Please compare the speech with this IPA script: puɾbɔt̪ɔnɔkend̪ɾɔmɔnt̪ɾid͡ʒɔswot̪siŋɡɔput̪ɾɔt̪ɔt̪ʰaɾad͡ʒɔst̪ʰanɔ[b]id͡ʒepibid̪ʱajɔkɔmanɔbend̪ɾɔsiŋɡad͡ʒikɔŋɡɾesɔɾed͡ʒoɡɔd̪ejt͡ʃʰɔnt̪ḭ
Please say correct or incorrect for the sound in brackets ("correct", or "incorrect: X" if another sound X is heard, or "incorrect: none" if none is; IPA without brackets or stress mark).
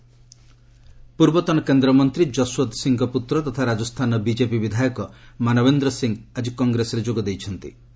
correct